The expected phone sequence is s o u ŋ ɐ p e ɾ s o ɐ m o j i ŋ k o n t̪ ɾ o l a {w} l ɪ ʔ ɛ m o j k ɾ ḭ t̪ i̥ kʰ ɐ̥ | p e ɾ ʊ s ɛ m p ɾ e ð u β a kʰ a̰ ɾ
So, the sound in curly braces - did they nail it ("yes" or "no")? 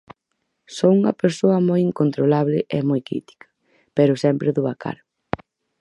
no